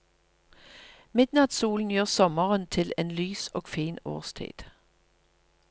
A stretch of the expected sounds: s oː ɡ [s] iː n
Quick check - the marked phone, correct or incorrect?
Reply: incorrect